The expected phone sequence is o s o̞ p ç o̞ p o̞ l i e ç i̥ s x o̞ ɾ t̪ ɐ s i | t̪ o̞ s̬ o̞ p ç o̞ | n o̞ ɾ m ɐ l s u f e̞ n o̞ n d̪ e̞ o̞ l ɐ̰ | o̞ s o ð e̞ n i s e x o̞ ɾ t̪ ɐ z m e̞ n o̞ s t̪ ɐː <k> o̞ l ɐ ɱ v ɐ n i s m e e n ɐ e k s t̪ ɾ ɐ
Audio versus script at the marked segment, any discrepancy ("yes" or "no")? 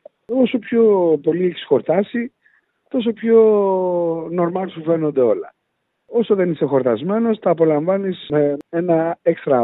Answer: yes